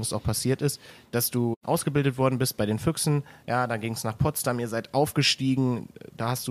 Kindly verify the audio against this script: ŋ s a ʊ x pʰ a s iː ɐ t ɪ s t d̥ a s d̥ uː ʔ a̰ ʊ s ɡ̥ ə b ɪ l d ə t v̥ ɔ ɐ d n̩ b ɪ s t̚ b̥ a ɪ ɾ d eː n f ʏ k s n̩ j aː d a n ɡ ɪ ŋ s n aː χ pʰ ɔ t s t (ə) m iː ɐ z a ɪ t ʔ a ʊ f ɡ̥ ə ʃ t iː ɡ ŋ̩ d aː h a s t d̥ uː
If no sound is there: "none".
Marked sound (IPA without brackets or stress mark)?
a